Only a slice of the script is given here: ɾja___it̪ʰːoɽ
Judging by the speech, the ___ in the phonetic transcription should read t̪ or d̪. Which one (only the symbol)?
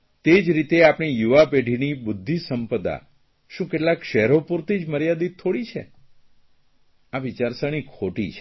d̪